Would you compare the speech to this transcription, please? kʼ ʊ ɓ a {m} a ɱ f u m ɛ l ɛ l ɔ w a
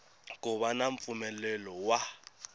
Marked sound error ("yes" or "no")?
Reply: yes